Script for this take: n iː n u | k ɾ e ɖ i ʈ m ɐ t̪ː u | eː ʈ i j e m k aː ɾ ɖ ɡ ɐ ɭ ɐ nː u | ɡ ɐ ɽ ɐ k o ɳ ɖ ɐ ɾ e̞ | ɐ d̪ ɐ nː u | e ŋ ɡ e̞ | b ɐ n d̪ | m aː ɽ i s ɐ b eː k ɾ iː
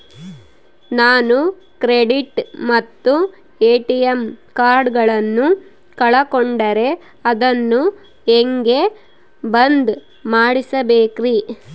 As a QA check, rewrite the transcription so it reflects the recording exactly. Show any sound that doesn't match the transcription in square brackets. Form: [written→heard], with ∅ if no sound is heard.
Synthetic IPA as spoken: n [iː→aː] n u | k ɾ e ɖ i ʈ m ɐ t̪ː u | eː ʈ i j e m k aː ɾ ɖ ɡ ɐ ɭ ɐ nː u | [ɡ→k] ɐ [ɽ→ɭ] ɐ k o ɳ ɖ ɐ ɾ e̞ | ɐ d̪ ɐ nː u | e ŋ ɡ e̞ | b ɐ n d̪ | m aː ɽ i s ɐ b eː k ɾ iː